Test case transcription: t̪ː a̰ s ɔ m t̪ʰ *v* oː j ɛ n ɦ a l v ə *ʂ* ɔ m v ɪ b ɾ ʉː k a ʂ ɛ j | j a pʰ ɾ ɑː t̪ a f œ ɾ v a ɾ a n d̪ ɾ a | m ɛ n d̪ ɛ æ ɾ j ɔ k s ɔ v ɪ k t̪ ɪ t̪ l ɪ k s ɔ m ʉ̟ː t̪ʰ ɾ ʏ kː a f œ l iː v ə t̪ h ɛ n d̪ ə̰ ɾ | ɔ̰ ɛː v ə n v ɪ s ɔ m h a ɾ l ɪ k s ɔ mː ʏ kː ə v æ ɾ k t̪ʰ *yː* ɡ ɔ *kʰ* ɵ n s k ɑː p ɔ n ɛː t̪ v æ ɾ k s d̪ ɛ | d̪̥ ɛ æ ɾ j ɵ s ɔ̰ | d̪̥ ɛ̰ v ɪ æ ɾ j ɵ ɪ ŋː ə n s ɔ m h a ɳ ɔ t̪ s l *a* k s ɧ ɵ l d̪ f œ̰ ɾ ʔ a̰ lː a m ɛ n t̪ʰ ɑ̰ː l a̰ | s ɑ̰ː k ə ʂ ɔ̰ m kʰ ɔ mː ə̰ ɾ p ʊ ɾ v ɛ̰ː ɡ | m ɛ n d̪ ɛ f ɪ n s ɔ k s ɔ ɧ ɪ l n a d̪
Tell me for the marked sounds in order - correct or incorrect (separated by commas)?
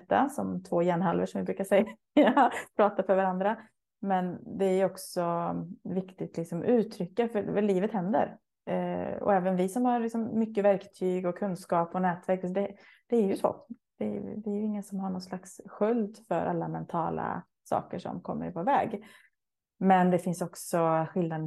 correct, correct, correct, correct, correct